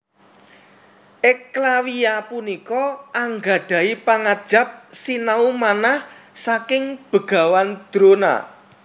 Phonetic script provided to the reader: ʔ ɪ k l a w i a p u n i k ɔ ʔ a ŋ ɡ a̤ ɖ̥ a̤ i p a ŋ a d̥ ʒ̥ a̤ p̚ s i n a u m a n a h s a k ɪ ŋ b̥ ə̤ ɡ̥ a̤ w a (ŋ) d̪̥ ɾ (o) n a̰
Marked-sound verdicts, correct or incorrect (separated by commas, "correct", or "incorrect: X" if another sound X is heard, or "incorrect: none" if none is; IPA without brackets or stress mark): incorrect: n, correct